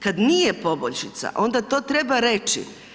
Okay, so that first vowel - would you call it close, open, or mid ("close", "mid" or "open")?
open